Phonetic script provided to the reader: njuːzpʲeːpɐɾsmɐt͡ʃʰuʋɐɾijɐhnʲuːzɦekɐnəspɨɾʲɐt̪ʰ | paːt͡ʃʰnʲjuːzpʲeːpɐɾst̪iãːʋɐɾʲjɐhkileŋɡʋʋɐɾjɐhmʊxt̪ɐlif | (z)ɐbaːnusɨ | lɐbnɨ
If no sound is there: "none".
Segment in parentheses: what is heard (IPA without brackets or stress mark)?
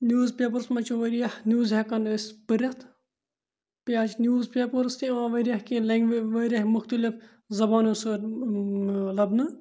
z